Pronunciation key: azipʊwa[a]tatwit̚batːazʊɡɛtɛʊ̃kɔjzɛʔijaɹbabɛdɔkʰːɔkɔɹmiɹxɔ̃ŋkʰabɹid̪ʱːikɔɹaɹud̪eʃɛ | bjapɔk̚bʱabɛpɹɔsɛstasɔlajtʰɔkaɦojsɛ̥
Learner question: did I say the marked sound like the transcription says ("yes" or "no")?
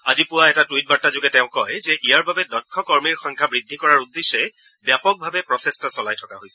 no